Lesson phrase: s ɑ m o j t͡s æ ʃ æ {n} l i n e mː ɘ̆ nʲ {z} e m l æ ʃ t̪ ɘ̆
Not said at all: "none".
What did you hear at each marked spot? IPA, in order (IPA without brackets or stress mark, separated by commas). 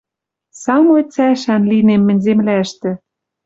n, z